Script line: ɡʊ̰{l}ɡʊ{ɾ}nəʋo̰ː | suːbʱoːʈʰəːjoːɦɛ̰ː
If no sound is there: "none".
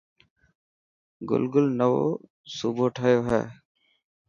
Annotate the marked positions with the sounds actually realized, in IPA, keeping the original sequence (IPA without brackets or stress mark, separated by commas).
l, l